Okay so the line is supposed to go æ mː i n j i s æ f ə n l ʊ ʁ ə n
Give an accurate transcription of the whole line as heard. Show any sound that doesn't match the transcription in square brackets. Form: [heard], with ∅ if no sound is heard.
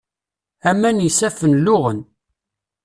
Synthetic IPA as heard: æ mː [æ] n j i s æ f ə n l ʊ ʁ ə n